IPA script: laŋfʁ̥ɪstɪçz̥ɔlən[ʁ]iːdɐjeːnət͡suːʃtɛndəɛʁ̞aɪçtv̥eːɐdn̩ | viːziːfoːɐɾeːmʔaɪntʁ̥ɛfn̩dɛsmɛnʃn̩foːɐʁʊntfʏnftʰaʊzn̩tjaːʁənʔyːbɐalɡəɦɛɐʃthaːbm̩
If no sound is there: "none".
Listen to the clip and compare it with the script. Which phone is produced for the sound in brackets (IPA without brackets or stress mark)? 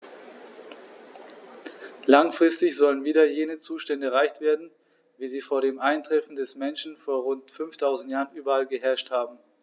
v